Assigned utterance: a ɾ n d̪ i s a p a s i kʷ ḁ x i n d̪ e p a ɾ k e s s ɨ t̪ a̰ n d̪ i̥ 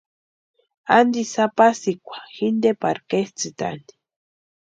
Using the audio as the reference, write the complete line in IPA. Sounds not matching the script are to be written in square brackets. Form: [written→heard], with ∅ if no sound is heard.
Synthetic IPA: a [ɾ→∅] n d̪ i s a p a s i kʷ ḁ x i n d̪ e p a ɾ k e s [s→t͡s] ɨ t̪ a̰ n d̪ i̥

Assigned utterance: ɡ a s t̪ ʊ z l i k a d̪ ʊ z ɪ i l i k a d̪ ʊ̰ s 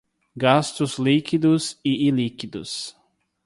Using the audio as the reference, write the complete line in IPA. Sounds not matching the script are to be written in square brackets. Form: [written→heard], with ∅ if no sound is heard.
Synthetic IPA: ɡ a s t̪ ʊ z l i k [a→i] d̪ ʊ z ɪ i l i k [a→i] d̪ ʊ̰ s

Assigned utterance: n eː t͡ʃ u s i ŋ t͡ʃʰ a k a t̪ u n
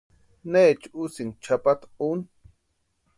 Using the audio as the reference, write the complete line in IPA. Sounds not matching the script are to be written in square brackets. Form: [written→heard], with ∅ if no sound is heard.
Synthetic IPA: n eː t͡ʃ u s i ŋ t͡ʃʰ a [k→p] a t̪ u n

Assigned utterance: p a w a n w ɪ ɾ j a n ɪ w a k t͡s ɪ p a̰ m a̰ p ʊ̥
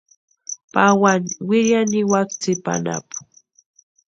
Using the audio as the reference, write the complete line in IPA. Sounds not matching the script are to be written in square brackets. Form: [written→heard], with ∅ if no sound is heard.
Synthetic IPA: p a w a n w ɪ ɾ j a n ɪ w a k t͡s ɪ p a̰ [m→n] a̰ p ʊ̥

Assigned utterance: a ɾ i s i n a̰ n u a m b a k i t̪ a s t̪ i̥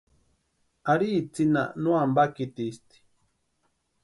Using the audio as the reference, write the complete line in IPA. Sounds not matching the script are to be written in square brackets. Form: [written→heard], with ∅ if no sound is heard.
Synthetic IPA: a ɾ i [s→t͡s] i n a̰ n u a m b a k i t̪ [a→i] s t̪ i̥

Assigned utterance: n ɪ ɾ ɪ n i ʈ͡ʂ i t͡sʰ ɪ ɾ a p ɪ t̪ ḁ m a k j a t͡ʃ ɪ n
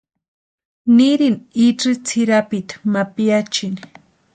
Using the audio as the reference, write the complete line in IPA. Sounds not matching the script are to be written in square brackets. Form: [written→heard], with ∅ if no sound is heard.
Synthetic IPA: n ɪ ɾ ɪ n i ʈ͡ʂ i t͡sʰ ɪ ɾ a p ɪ t̪ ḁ m a [k→p] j a t͡ʃ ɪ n

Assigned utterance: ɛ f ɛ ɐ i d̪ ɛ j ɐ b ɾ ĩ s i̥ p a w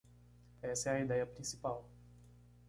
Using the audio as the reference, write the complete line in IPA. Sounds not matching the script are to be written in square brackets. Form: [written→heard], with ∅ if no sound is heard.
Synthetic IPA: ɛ [f→s] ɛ ɐ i d̪ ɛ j ɐ [b→p] ɾ ĩ s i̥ p a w

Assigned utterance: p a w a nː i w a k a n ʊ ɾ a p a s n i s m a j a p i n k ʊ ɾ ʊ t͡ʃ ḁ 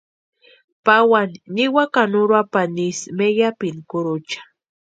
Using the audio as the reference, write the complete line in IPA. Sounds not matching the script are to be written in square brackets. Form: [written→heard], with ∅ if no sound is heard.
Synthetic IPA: p a w a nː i w a k a n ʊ ɾ a p a [s→∅] n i s m [a→e] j a p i n k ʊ ɾ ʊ t͡ʃ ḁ

